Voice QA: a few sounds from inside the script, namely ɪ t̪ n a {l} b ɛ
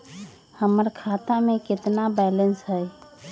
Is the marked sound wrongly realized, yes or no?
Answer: yes